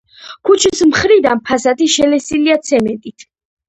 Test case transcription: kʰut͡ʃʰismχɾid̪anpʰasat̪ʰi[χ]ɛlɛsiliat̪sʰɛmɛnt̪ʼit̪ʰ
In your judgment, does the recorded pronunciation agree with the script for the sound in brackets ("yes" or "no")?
no